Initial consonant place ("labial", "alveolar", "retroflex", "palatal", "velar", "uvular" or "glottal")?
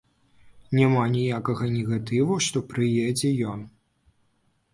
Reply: alveolar